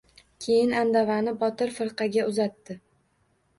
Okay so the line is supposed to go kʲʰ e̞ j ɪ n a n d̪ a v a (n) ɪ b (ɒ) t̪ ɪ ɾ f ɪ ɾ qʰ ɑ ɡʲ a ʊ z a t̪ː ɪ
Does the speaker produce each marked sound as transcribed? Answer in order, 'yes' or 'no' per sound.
yes, yes

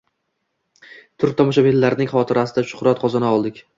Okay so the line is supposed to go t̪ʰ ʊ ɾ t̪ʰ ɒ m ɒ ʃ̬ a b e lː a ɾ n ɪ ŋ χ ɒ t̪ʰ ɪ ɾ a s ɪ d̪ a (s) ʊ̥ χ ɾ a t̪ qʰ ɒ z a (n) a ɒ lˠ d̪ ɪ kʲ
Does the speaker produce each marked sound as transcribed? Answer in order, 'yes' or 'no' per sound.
no, yes

